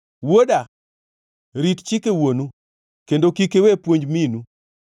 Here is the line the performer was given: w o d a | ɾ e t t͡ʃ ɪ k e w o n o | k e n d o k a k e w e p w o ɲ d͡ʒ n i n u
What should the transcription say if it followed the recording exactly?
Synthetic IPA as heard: w o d a | ɾ i t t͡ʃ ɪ k e w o n u | k e n d o k i k e w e p w o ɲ d͡ʒ m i n u